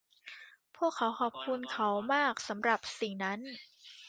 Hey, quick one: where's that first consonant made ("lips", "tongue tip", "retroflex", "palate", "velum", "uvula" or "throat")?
lips